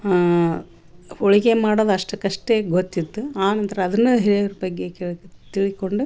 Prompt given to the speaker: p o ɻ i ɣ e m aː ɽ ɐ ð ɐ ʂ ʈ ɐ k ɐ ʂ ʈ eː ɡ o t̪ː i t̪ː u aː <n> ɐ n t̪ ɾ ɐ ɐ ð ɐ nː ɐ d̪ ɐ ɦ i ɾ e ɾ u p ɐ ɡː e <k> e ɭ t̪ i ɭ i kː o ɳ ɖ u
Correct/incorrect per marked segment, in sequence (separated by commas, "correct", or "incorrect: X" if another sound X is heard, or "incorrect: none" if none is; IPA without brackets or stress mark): correct, correct